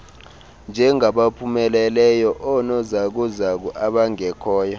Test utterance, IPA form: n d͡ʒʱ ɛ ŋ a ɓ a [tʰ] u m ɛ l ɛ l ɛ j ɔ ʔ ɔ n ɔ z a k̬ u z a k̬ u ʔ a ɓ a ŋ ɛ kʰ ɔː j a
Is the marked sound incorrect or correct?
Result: incorrect